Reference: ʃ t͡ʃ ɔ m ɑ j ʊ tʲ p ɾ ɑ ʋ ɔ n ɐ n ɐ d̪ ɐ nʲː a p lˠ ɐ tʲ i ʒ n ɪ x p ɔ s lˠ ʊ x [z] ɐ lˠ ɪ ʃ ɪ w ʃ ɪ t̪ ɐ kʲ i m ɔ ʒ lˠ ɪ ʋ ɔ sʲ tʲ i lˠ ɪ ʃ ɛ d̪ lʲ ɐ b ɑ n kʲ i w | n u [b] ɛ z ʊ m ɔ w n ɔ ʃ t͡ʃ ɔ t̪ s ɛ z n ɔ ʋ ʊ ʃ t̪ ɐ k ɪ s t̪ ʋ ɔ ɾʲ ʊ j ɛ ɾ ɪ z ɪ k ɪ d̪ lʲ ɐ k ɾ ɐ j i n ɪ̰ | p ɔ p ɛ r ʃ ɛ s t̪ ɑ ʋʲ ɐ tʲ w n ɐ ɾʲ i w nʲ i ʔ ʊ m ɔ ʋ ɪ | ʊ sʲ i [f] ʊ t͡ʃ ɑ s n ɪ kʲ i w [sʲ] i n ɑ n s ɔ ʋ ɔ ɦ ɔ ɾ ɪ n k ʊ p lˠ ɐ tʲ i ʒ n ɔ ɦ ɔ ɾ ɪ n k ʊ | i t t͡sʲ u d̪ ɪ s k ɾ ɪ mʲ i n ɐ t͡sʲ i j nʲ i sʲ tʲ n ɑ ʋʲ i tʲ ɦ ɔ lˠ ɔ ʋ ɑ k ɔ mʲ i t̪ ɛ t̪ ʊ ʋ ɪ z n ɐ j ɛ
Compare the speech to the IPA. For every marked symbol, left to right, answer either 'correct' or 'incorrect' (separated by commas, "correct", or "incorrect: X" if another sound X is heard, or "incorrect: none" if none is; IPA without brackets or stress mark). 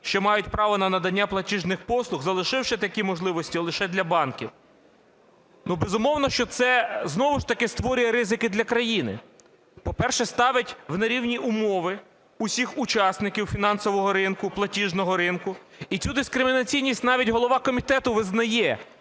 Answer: correct, correct, incorrect: x, incorrect: fʲ